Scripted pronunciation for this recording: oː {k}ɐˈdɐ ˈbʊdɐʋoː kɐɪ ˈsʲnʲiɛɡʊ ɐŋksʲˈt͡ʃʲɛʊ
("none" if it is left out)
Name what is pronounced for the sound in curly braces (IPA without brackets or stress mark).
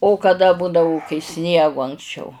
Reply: k